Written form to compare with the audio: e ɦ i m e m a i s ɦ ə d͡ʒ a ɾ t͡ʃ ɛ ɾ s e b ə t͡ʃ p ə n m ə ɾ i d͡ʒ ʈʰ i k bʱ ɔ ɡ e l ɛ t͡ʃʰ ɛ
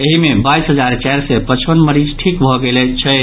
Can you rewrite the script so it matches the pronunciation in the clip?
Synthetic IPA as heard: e ɦ i m e b a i s ɦ ə d͡ʒ a ɾ t͡ʃ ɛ ɾ s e p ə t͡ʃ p ə n m ə ɾ i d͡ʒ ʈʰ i k bʱ ɔ ɡ e l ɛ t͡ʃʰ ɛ